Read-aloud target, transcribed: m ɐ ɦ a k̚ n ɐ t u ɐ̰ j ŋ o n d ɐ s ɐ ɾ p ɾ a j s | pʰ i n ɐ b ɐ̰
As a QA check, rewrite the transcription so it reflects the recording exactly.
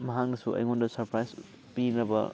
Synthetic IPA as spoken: m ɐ ɦ a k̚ n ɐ s u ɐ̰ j ŋ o n d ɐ s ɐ ɾ p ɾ a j s | p i n ɐ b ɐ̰